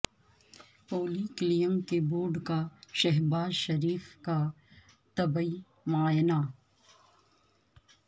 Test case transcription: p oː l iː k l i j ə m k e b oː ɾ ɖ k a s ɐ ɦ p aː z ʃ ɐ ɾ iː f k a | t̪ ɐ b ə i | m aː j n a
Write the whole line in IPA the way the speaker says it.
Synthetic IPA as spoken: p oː l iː k l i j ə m k e b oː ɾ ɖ k a ʃ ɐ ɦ b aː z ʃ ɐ ɾ iː f k a | t̪ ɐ b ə i | m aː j n a